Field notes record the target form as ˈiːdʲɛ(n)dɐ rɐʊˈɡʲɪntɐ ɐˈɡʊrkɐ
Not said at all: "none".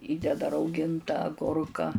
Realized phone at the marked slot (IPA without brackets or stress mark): none